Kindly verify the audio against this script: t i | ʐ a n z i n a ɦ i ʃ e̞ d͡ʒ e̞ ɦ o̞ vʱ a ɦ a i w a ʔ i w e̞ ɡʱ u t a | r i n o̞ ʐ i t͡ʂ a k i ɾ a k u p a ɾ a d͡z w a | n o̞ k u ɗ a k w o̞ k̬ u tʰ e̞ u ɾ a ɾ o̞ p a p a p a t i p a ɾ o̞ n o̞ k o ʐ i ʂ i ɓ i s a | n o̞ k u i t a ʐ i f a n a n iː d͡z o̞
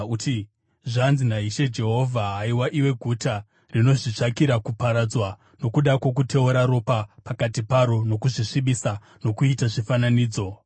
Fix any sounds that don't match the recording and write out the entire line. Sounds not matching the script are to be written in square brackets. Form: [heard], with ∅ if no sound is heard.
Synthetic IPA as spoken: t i | ʐ a n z i n a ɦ i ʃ e̞ d͡ʒ e̞ ɦ o̞ vʱ a ɦ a i w a ʔ i w e̞ ɡʱ u t a | r i n o̞ ʐ i t͡ʂ a k i ɾ a k u p a ɾ a d͡z w a | n o̞ k u ɗ a k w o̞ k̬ u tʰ e̞ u ɾ a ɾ o̞ p a p a [k] a t i p a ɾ o̞ n o̞ k [u] ʐ i ʂ i ɓ i s a | n o̞ k u i t a ʐ i f a n a n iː d͡z o̞